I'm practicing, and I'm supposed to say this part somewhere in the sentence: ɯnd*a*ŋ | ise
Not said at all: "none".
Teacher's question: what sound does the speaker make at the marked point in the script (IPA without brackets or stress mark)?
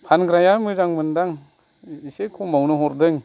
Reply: a